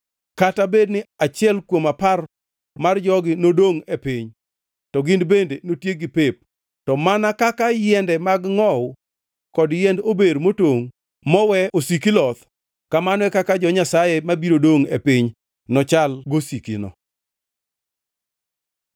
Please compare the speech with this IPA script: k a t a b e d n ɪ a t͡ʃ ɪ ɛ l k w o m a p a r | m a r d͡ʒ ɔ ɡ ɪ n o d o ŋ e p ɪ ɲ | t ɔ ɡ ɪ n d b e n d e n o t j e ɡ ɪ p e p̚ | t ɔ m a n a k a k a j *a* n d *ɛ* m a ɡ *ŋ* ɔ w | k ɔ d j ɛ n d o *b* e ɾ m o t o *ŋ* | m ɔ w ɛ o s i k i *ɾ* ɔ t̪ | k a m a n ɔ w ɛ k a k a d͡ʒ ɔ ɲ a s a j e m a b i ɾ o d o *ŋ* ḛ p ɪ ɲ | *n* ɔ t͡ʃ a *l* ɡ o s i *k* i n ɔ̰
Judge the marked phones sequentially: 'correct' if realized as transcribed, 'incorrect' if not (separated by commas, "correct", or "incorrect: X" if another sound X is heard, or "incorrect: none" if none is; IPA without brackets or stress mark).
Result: incorrect: ɛ, correct, correct, correct, correct, incorrect: l, correct, correct, correct, correct